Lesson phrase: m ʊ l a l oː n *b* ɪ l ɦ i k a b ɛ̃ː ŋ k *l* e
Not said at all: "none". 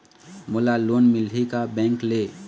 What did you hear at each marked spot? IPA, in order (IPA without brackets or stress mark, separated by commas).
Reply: m, l